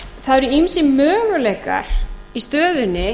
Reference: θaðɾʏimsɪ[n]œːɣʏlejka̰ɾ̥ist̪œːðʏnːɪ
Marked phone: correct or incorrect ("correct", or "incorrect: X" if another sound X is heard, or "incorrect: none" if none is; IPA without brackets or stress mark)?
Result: incorrect: m